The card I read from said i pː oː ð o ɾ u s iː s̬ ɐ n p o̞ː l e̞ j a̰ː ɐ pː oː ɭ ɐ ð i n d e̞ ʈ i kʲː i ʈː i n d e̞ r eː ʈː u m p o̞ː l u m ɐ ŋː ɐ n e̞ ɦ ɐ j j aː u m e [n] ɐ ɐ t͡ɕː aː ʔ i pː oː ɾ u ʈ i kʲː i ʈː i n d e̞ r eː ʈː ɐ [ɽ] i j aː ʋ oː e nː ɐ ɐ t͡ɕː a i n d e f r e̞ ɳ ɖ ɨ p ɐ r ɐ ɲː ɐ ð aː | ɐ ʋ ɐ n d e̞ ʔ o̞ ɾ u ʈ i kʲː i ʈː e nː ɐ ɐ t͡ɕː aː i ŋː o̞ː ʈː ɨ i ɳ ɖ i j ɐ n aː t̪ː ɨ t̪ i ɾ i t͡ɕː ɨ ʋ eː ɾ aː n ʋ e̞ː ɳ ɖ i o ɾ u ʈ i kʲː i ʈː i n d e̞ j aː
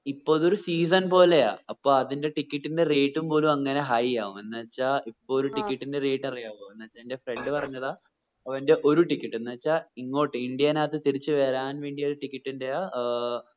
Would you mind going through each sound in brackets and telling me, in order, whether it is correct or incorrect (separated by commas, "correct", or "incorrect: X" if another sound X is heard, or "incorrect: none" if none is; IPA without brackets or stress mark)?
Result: incorrect: nː, incorrect: r